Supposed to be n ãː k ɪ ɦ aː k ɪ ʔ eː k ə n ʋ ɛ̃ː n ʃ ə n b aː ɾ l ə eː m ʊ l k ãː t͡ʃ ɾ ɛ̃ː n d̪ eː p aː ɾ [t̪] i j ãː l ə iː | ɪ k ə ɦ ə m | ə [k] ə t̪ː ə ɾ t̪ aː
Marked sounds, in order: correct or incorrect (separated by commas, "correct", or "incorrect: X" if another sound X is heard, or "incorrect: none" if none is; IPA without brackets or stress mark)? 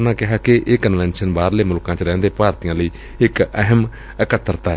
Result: correct, correct